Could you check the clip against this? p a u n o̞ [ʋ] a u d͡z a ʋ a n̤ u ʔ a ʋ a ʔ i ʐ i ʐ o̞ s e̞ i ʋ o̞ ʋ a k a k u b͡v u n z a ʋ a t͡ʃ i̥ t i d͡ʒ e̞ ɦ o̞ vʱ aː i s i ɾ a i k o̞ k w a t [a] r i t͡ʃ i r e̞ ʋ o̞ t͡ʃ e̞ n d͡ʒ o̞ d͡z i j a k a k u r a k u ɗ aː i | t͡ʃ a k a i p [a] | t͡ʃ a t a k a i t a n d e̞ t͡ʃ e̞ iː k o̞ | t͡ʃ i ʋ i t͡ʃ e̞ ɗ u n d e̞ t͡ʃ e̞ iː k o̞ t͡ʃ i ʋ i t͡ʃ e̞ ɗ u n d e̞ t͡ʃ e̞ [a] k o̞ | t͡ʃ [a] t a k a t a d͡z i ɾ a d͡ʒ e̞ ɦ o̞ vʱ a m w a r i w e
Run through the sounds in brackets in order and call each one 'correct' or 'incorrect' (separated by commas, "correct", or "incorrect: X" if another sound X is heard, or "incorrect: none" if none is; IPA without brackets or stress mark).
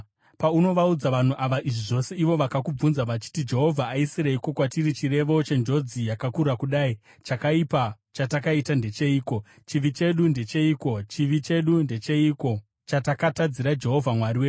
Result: correct, incorrect: i, correct, incorrect: i, correct